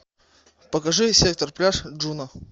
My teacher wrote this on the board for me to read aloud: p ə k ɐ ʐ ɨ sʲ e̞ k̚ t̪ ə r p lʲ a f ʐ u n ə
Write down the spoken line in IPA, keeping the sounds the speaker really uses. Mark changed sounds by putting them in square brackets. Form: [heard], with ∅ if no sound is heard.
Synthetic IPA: p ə k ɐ ʐ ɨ sʲ e̞ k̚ t̪ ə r p lʲ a [ʂ] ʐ u n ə